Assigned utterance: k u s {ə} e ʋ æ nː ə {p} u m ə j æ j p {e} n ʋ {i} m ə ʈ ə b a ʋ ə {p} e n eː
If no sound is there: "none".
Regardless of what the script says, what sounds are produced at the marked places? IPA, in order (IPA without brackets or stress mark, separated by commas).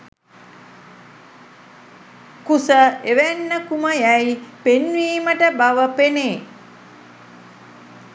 ə, k, e, iː, p